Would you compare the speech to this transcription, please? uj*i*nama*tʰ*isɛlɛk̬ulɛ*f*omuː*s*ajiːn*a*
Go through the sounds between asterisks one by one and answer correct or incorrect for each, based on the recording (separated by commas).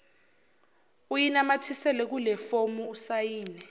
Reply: correct, correct, correct, correct, incorrect